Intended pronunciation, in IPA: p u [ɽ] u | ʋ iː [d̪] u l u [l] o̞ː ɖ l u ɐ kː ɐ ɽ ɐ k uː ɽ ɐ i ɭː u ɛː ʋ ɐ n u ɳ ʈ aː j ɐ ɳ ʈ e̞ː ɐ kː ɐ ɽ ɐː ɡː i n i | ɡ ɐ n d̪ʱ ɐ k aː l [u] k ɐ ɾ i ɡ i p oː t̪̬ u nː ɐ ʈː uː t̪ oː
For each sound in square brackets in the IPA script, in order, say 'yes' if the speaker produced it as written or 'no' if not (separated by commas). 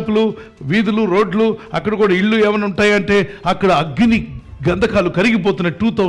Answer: no, yes, no, yes